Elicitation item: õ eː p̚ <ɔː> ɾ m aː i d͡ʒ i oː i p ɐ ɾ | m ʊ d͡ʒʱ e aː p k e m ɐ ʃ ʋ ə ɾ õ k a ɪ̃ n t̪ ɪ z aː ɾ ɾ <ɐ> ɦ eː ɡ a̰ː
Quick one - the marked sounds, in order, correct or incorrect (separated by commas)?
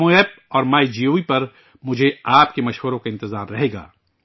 correct, correct